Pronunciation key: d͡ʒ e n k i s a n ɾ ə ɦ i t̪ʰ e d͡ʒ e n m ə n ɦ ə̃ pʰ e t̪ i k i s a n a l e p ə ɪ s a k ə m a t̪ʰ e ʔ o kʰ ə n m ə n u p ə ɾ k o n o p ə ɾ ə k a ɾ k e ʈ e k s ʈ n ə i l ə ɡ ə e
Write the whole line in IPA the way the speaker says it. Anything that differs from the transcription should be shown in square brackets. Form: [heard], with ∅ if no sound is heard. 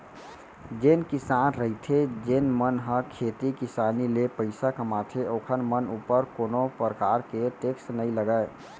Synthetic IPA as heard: d͡ʒ e n k i s a n ɾ ə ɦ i t̪ʰ e d͡ʒ e n m ə n ɦ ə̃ [kʰ] e t̪ i k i s a n [i] l e p ə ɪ s a k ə m a t̪ʰ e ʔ o kʰ ə n m ə n u p ə ɾ k o n o p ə ɾ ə k a ɾ k e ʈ e k s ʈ n ə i l ə ɡ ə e